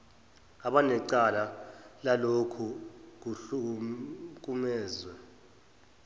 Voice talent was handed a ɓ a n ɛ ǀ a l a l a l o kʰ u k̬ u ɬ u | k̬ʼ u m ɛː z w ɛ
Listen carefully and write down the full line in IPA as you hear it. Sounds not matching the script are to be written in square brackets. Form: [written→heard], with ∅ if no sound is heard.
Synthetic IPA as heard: a ɓ a n ɛ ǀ a l a l a l o kʰ u k̬ u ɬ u | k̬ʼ u m ɛː z w ɛ